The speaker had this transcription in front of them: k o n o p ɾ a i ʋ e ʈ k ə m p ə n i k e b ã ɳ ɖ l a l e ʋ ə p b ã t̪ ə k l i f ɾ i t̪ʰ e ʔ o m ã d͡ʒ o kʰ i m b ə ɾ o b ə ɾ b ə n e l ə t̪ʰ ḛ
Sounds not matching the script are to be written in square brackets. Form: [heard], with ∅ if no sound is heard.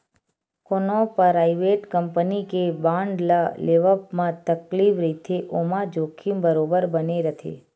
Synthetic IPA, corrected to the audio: k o n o p ɾ a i ʋ e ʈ k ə m p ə n i k e b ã ɳ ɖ l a l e ʋ ə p [m] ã t̪ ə k l i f ɾ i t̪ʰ e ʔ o m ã d͡ʒ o kʰ i m b ə ɾ o b ə ɾ b ə n e [ɾ] ə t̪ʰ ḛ